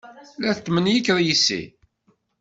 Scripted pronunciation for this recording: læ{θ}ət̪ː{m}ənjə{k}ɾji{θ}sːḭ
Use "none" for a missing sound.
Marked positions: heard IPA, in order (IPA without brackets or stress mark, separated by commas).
θ, m, k, none